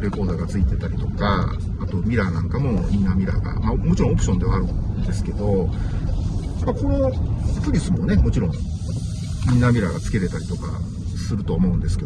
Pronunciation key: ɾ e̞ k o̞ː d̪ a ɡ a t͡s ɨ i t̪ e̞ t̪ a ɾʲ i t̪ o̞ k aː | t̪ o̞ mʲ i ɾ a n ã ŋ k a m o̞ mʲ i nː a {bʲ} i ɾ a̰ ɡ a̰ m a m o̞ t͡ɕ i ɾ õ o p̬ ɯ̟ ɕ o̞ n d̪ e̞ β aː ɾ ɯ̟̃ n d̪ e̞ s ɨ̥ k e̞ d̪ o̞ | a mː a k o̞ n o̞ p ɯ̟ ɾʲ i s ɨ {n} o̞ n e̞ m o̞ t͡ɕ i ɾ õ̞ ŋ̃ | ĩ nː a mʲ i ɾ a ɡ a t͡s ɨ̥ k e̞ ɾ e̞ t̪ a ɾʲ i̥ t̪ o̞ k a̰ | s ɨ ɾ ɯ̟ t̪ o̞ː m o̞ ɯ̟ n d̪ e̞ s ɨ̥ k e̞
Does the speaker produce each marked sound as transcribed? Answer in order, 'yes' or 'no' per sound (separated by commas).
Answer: no, no